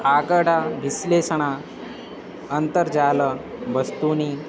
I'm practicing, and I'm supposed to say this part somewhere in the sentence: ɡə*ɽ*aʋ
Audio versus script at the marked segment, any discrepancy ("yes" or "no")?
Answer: no